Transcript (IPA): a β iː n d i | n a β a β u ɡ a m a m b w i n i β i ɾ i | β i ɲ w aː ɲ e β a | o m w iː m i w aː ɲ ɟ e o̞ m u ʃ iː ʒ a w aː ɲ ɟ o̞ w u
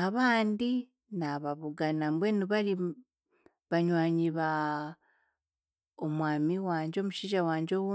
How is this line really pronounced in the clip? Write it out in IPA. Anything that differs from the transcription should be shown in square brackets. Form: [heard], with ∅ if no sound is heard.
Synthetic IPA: a β [aː] n d i | n a β a β u ɡ a [n] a m b w [e] n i β [a] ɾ i | β [a] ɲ w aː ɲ [i] β a | o m w [aː] m i w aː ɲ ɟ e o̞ m u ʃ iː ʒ a w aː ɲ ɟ o̞ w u

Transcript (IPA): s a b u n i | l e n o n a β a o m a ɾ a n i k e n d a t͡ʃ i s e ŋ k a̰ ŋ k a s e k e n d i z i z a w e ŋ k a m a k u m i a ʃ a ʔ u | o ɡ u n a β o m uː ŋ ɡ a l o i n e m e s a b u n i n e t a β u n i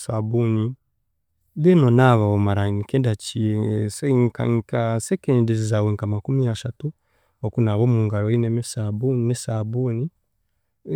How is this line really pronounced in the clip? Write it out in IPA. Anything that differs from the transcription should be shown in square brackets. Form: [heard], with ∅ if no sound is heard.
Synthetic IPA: s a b u n i | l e n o n a β a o m a ɾ a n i k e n d a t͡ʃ i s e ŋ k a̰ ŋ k a s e k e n d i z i z a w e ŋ k a m a k u m i a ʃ a [t] u | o [k] u n a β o m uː ŋ ɡ a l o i n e m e s a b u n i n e [s] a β u n i

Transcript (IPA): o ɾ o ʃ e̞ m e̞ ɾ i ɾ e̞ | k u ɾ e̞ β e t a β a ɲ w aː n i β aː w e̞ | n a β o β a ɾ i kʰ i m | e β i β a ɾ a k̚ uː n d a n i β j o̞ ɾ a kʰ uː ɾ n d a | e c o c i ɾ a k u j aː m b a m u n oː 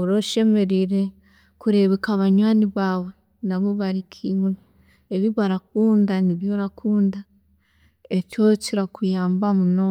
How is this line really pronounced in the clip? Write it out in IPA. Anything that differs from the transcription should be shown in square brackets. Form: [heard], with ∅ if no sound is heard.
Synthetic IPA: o ɾ o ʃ e̞ m e̞ ɾ i ɾ e̞ | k u ɾ e̞ β e [k] a β a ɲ w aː n i β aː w e̞ | n a β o β a ɾ i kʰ i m | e β i β a ɾ a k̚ uː n d a n i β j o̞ ɾ a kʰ uː [∅] n d a | e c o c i ɾ a k u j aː m b a m u n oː

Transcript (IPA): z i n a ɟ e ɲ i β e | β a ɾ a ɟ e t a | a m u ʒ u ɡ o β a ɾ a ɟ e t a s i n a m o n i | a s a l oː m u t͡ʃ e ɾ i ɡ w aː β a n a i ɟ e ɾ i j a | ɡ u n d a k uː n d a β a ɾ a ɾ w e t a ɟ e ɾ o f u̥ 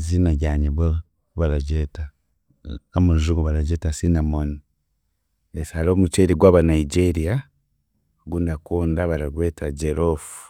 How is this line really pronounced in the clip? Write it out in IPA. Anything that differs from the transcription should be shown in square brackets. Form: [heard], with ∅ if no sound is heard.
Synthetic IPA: z i n a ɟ [a] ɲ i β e | β a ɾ a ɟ e t a | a m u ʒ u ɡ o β a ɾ a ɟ e t a s i n a m o n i | [e] s a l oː m u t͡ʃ e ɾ i ɡ w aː β a n a i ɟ e ɾ i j a | ɡ u n d a k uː n d a β a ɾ a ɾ w e t a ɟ e ɾ o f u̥

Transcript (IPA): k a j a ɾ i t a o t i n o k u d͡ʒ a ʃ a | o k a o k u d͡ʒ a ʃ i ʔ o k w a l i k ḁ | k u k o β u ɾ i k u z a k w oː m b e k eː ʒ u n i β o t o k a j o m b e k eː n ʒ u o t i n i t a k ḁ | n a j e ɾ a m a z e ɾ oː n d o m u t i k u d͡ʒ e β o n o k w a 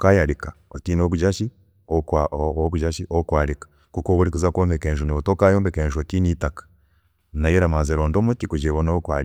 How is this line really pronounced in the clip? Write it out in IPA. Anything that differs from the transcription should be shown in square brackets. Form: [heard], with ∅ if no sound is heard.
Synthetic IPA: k a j a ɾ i [k] a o t i n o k u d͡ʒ a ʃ [i] | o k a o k u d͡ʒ a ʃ i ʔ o k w a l i k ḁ | k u k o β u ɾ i k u z a k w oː m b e k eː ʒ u n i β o t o k a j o m b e k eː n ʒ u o t i n i t a k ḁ | n a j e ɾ a m a z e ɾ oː n d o m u t i k u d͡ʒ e β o n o k w a

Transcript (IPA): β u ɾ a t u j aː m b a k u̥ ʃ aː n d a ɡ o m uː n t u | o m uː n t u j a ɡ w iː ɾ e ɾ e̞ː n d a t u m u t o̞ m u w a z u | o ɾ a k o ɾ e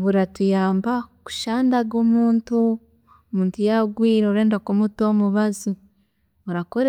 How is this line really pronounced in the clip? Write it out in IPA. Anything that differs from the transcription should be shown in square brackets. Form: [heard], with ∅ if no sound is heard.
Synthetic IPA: β u ɾ a t u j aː m b a k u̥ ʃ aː n d a ɡ o m uː n t u | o m uː n t u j a ɡ w iː ɾ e ɾ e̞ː n d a [k] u m u t o̞ m u [β] a z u | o ɾ a k o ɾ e

